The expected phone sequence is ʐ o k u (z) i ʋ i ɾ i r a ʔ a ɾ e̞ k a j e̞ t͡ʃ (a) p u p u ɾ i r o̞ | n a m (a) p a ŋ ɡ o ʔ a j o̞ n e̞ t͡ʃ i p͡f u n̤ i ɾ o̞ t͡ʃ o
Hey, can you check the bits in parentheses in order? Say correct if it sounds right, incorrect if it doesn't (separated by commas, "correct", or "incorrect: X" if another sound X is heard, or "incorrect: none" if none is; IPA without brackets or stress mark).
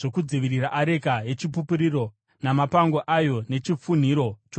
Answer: incorrect: d͡z, incorrect: i, correct